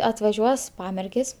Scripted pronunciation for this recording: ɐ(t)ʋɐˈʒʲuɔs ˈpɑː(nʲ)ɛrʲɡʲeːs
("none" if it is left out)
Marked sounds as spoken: t, mʲ

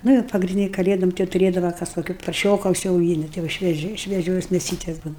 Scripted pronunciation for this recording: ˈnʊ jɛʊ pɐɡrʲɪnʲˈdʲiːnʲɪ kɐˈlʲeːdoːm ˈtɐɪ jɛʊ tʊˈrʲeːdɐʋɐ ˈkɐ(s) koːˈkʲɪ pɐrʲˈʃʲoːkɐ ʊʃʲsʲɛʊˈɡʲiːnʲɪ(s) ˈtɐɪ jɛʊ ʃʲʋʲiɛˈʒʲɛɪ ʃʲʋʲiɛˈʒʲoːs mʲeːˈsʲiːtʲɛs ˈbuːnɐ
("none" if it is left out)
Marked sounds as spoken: s, none

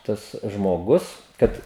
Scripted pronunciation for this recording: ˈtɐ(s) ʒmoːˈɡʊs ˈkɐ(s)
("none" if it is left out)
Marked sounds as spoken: s, t

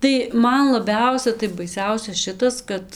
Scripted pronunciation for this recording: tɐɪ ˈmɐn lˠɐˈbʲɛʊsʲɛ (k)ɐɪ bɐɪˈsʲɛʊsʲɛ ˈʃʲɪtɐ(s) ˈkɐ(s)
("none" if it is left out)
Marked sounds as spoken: t, s, t

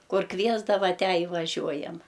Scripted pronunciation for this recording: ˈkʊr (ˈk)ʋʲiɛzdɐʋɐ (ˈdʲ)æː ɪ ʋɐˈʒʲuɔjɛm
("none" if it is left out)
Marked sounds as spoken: k, tʲ

